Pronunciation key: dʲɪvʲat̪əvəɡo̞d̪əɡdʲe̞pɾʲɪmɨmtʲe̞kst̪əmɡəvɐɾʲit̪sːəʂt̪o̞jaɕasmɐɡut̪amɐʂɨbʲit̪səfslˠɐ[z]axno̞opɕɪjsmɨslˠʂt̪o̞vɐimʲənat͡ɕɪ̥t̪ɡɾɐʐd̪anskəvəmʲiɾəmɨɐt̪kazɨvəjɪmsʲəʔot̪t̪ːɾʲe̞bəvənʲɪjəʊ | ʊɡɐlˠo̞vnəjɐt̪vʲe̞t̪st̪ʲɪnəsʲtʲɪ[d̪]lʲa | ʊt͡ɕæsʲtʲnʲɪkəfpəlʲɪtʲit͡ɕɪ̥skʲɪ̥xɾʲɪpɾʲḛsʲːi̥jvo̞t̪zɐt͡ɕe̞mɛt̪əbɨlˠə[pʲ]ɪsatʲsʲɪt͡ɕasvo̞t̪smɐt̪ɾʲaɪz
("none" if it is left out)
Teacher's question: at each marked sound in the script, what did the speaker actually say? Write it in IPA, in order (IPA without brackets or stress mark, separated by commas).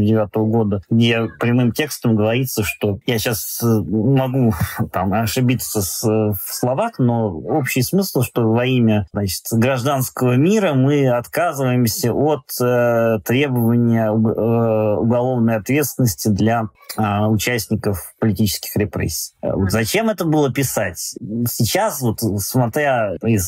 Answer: v, d̪, pʲ